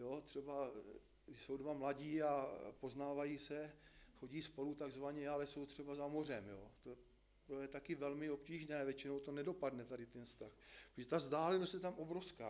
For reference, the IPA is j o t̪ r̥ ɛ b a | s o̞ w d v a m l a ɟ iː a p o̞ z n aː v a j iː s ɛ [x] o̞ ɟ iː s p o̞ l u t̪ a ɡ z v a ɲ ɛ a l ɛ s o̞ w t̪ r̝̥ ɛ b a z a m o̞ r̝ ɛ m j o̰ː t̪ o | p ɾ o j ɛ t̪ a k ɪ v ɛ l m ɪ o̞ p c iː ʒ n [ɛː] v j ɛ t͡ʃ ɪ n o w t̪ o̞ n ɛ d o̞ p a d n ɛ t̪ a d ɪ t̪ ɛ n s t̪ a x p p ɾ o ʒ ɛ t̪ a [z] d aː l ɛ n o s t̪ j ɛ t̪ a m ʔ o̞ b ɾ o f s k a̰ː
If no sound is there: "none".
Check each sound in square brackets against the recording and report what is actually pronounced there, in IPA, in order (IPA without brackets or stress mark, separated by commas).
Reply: x, ɛː, z